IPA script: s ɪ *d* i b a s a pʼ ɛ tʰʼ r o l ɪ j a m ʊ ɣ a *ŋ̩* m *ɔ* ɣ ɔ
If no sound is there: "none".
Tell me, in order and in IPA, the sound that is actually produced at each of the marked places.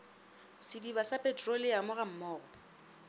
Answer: d, m̩, ɔː

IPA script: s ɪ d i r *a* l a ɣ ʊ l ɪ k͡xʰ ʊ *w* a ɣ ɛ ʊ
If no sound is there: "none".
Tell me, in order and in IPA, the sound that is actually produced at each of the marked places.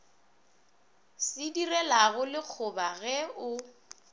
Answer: ɛ, b

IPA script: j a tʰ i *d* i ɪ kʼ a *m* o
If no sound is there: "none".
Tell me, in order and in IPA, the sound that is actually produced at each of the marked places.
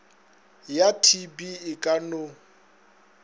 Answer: b, n

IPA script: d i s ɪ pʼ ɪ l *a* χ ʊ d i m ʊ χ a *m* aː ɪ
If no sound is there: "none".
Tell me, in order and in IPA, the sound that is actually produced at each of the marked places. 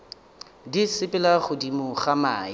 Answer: a, m

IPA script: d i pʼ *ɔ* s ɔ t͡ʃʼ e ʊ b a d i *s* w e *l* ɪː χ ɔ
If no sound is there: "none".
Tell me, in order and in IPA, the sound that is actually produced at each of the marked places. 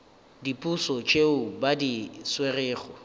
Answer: u, s, r

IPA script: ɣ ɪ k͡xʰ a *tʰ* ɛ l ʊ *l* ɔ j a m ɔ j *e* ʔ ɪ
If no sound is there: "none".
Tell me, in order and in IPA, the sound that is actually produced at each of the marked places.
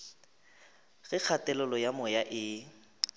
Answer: t, l, a

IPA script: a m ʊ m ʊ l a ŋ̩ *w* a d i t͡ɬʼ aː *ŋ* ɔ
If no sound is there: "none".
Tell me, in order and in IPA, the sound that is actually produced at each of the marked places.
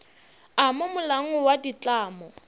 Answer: w, m

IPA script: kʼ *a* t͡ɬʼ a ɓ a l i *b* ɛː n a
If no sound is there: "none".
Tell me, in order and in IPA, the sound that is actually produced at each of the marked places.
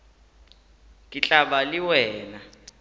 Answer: i, w

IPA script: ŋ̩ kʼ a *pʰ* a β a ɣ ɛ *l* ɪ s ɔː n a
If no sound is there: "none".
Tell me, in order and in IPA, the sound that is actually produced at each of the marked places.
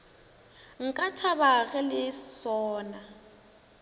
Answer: tʰ, l

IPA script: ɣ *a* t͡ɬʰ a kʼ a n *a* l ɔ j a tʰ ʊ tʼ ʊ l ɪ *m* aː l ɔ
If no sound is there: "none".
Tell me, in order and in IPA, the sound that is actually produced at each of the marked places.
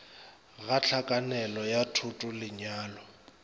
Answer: a, ɛ, ɲ

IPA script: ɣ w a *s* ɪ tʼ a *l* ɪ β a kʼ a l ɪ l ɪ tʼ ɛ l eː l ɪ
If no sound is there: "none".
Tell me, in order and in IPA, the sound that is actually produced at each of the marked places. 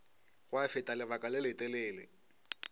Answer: f, l

